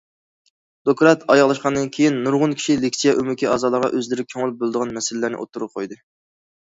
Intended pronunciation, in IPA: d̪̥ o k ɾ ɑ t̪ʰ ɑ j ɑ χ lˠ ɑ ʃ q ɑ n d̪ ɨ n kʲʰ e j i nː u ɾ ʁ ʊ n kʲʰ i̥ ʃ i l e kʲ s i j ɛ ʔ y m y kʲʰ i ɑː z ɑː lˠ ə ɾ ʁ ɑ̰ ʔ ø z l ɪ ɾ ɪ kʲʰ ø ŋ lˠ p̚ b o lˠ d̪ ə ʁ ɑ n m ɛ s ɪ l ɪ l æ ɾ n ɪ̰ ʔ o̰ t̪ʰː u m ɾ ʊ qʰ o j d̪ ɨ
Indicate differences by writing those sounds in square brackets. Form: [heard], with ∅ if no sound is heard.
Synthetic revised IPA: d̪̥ o k ɾ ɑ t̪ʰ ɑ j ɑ [ʁ] lˠ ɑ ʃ q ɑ n d̪ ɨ n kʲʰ e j i nː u ɾ ʁ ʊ n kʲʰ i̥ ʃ i l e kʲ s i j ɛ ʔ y m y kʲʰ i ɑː z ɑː lˠ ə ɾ ʁ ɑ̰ ʔ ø z l ɪ ɾ ɪ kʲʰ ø ŋ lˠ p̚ b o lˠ d̪ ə ʁ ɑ n m ɛ s ɪ l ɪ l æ ɾ n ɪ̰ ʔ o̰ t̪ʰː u [∅] ɾ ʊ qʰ o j d̪ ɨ